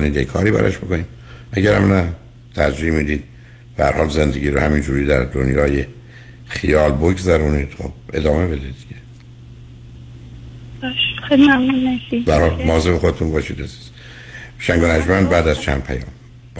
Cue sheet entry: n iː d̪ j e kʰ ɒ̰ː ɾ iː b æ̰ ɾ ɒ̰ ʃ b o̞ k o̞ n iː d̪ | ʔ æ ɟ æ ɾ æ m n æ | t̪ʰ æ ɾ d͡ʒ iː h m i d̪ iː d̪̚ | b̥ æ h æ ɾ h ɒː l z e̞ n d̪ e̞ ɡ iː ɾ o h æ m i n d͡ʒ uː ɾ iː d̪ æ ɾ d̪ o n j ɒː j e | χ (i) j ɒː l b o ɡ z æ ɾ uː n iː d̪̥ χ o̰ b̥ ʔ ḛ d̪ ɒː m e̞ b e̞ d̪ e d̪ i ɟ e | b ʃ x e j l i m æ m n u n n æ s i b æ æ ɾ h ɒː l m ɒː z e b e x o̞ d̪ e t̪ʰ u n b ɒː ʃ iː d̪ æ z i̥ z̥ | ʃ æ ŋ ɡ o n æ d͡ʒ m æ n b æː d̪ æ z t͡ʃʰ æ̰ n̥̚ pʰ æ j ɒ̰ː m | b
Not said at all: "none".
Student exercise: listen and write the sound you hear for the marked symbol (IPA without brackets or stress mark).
i